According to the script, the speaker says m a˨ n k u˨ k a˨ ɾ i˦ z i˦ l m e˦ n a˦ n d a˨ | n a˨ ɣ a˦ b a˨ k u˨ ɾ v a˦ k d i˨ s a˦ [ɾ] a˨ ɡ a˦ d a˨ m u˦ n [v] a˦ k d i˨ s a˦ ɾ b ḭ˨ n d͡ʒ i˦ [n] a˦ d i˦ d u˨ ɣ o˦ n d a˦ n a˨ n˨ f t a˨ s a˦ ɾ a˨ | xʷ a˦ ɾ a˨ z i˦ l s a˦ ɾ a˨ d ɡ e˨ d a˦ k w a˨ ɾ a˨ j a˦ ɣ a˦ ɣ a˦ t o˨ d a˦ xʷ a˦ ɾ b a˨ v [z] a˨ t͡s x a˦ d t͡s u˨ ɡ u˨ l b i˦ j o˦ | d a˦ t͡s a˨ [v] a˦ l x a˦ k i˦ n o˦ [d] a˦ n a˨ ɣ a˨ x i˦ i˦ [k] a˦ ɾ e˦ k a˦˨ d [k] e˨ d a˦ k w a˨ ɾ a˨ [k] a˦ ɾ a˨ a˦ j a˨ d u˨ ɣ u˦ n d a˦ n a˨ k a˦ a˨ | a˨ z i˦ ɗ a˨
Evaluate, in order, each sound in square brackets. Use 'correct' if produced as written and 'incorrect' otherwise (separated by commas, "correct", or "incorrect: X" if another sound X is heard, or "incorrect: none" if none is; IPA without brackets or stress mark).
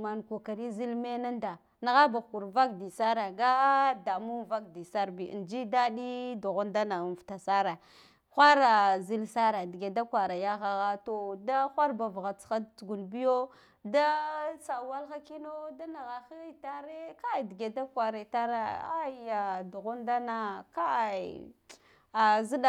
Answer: correct, correct, incorrect: d, incorrect: ɣ, incorrect: w, correct, incorrect: t, incorrect: ɡ, incorrect: t